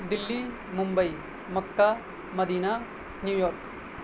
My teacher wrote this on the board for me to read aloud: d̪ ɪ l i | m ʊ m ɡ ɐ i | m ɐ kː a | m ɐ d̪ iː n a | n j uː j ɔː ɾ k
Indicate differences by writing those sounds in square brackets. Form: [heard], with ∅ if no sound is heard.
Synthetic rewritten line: d̪ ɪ [lː] i | m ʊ m [b] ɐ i | m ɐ kː a | m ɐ d̪ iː n a | n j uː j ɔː ɾ k